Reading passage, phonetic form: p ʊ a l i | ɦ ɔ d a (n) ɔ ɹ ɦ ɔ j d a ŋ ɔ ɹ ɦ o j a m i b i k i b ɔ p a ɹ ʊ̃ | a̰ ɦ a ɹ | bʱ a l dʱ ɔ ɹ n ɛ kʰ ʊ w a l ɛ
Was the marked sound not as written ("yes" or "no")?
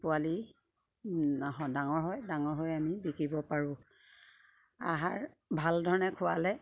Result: yes